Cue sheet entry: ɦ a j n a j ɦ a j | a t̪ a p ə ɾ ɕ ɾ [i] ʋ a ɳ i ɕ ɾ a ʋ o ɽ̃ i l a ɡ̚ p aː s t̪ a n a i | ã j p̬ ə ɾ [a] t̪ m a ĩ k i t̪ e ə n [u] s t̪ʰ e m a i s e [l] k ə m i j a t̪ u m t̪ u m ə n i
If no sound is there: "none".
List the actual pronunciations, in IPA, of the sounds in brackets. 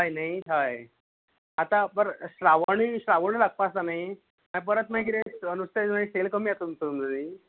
a, ə, u, l

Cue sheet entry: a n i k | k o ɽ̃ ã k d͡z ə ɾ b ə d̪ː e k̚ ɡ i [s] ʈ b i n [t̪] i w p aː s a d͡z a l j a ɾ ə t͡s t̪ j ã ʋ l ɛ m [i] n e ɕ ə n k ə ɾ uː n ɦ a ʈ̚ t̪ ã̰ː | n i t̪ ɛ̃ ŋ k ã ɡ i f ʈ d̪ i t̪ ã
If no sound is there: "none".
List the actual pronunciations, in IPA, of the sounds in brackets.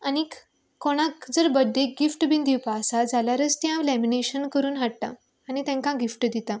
f, d̪, i

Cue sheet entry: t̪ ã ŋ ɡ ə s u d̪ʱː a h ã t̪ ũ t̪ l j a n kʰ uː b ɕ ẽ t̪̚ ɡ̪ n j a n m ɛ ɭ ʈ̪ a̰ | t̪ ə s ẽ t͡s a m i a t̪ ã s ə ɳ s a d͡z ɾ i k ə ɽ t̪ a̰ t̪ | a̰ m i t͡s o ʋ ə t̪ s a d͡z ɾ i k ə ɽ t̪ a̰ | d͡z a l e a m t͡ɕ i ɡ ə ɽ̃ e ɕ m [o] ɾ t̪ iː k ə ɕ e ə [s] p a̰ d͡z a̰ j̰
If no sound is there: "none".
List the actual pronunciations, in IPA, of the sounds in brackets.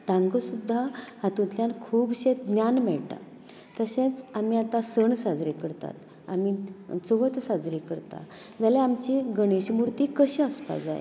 u, s

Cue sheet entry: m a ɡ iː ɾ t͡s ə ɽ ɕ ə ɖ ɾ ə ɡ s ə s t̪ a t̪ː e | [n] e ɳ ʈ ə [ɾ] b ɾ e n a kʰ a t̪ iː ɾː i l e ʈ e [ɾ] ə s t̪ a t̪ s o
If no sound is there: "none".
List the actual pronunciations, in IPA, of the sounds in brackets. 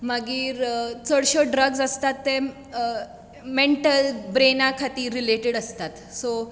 m, l, ɽ

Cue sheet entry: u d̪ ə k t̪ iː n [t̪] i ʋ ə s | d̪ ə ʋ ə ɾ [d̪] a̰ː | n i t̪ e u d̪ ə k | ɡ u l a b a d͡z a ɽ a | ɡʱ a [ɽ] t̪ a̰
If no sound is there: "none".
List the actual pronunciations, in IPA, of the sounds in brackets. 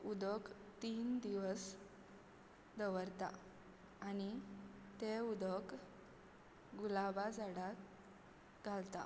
d̪, t̪, l

